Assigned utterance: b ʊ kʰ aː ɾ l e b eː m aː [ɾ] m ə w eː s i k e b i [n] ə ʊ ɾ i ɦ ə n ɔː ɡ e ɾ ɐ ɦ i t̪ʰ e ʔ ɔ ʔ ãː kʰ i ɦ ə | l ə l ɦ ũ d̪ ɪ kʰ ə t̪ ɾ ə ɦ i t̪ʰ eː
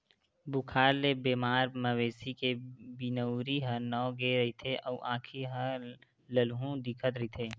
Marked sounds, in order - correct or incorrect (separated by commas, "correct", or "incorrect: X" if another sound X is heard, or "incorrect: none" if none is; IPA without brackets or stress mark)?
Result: correct, correct